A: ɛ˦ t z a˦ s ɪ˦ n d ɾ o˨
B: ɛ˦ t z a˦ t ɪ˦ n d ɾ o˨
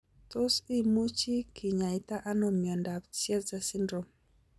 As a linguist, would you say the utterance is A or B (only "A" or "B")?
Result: A